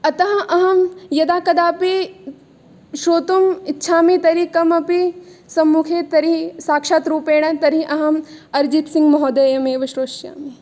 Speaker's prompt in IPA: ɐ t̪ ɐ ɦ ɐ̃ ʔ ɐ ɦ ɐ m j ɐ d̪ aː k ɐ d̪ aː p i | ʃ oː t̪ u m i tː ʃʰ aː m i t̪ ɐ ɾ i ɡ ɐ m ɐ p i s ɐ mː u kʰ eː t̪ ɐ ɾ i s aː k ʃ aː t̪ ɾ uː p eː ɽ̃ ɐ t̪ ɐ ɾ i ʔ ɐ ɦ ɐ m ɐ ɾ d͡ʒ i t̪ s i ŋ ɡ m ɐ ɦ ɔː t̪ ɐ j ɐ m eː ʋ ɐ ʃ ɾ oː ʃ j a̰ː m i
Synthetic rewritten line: ɐ t̪ ɐ ɦ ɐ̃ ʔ ɐ ɦ ɐ m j ɐ d̪ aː k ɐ d̪ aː p i | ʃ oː t̪ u m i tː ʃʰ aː m i t̪ ɐ ɾ i k ɐ m ɐ p i s ɐ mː u kʰ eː t̪ ɐ ɾ i s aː k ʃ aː t̪ ɾ uː p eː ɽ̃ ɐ t̪ ɐ ɾ i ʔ ɐ ɦ ɐ m ɐ ɾ d͡ʒ i t̪ s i ŋ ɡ m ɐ ɦ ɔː d̪ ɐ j ɐ m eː ʋ ɐ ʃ ɾ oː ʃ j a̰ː m i